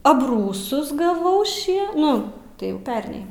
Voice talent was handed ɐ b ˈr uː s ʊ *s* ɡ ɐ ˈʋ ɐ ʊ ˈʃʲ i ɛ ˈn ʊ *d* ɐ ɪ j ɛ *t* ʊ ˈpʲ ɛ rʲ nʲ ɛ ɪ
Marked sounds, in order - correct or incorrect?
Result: correct, incorrect: t, incorrect: none

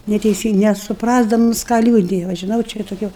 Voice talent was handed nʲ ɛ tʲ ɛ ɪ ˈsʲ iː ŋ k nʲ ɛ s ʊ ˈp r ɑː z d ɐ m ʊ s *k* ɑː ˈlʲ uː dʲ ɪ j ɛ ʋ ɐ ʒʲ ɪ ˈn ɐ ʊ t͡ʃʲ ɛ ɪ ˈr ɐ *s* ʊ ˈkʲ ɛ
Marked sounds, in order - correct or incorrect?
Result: correct, incorrect: t

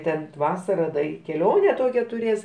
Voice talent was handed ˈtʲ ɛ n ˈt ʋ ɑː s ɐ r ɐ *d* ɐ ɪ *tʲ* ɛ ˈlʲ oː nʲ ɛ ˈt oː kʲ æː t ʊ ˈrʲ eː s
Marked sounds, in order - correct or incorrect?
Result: correct, incorrect: kʲ

